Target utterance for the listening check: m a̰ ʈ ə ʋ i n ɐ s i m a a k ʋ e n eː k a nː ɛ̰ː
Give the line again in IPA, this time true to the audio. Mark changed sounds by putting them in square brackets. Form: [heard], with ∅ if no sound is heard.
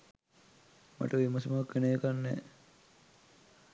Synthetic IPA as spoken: m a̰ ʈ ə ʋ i [m] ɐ s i m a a k ʋ e n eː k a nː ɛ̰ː